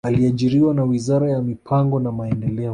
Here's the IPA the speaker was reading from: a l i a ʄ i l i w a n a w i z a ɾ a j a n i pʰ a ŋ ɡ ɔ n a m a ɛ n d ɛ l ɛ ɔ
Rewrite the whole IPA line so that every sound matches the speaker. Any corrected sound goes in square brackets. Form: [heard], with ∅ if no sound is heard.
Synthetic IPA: a l i a ʄ i [ɾ] i w a n a w i z a ɾ a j a [m] i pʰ a ŋ ɡ ɔ n a m a ɛ n d ɛ l ɛ ɔ